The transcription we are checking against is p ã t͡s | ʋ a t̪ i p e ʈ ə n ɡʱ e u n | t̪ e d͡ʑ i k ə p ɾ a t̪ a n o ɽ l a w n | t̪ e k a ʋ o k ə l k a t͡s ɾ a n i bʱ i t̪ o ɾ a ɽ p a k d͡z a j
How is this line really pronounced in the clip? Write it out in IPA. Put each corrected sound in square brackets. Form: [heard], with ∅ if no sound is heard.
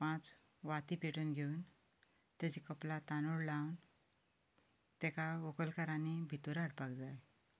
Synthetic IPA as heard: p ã t͡s | ʋ a t̪ i p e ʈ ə n ɡʱ e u n | t̪ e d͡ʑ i k ə p [l] a t̪ a n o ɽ l a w n | t̪ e k a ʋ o k ə l k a [∅] ɾ a n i bʱ i t̪ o ɾ a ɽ p a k d͡z a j

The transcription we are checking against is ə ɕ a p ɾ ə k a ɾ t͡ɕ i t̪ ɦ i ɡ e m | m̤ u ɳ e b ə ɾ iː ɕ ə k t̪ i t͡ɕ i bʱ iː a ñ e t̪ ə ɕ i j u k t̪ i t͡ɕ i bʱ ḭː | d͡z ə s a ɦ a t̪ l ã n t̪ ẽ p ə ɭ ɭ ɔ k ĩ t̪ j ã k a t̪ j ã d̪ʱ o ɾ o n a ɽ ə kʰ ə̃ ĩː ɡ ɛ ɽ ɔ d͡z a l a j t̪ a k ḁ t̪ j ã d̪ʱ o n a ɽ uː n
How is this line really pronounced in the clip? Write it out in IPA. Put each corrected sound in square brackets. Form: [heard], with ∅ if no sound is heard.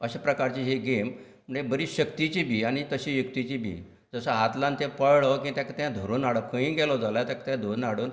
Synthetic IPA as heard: ə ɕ a p ɾ ə k a ɾ t͡ɕ i [∅] ɦ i ɡ e m | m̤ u ɳ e b ə ɾ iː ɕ ə k t̪ i t͡ɕ i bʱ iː a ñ [i] t̪ ə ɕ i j u k t̪ i t͡ɕ i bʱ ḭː | d͡z ə s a ɦ a t̪ l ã n t̪ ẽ p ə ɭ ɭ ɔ k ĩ t̪ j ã k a t̪ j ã d̪ʱ o ɾ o n a ɽ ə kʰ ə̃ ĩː ɡ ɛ [l] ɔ d͡z a l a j t̪ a k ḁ t̪ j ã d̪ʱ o n a ɽ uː n

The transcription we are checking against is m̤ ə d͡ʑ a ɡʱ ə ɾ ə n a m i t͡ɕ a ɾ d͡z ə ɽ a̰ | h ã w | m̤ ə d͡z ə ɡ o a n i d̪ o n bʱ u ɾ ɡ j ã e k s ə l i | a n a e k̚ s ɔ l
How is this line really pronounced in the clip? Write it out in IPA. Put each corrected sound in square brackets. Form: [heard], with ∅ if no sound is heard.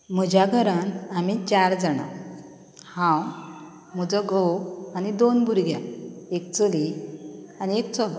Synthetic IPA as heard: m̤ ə d͡ʑ a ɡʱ ə ɾ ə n a m i t͡ɕ a ɾ d͡z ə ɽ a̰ | h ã w | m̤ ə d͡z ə ɡ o a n i d̪ o n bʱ u ɾ ɡ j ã e k [t͡s] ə l i | a n [i] e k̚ [t͡s] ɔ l

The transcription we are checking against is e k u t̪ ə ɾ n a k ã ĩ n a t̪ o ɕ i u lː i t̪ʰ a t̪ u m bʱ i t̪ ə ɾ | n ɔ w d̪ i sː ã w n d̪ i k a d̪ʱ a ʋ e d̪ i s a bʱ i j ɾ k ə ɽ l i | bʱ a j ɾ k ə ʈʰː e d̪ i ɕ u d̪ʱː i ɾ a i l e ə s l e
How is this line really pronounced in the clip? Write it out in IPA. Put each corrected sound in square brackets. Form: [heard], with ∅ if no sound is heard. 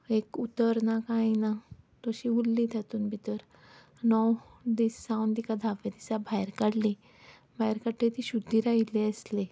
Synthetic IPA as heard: e k u t̪ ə ɾ n a k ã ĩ n a t̪ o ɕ i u lː i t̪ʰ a t̪ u [n] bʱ i t̪ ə ɾ | n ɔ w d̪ i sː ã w n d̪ i k a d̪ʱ a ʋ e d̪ i s a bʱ [a] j ɾ k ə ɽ l i | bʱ a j ɾ k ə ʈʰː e [t̪] i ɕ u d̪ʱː i ɾ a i l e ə s l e

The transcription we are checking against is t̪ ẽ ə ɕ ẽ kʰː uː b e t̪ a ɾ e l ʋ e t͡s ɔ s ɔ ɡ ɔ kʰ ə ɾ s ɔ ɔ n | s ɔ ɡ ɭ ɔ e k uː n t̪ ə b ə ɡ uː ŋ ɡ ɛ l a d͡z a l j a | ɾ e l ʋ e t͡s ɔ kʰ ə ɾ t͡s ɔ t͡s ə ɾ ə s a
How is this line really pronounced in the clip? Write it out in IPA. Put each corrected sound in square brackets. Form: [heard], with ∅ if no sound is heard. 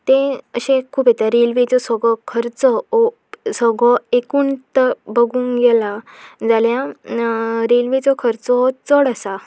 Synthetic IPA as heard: t̪ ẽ ə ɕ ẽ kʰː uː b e t̪ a ɾ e l ʋ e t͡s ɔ s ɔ ɡ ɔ kʰ ə ɾ [t͡s] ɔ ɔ [∅] | s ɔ ɡ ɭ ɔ e k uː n t̪ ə b ə ɡ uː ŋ ɡ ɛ l a d͡z a l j a | ɾ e l ʋ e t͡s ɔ kʰ ə ɾ t͡s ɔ t͡s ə [ɽ] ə s a

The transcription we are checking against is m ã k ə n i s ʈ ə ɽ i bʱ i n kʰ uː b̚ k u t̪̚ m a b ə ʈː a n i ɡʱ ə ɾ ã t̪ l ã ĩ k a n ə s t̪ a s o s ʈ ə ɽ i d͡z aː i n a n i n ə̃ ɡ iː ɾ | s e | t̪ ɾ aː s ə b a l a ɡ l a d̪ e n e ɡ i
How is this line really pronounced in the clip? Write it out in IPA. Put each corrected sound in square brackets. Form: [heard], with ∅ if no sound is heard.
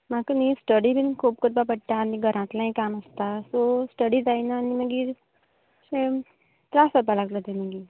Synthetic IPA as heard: m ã k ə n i s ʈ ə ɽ i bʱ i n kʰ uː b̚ k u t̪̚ [b] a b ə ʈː a n i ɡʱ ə ɾ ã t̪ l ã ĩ k a n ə s t̪ a s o s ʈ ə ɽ i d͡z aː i n a n i [m] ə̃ ɡ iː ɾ | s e | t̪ ɾ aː s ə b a l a ɡ l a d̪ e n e ɡ i

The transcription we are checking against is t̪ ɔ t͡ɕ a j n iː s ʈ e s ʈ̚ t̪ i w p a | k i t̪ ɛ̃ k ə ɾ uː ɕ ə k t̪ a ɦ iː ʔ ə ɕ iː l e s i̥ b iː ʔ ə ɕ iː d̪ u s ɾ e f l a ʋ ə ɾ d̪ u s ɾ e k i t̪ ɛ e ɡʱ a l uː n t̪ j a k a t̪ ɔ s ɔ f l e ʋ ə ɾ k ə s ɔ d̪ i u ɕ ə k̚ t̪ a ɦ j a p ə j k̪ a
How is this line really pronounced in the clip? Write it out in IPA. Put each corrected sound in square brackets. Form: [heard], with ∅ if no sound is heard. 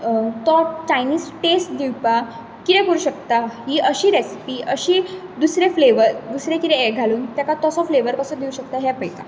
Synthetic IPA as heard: t̪ ɔ t͡ɕ a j n iː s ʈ e s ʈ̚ [d̪] i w p a | k i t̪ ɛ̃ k ə ɾ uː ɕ ə k t̪ a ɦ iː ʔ ə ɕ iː [ɾ] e s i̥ [p] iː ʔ ə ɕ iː d̪ u s ɾ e f l [e] ʋ ə ɾ d̪ u s ɾ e k i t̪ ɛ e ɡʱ a l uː n t̪ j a k a t̪ ɔ s ɔ f l e ʋ ə ɾ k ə s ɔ d̪ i u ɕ ə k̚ t̪ a ɦ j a p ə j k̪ a

